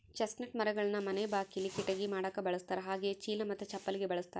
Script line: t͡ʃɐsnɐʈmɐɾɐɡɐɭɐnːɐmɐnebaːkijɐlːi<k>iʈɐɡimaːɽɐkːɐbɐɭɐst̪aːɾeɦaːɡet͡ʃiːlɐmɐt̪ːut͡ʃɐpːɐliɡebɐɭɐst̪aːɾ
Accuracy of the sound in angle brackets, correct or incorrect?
correct